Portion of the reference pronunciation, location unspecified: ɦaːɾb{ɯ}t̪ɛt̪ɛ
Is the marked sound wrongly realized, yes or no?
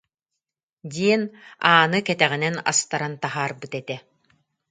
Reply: no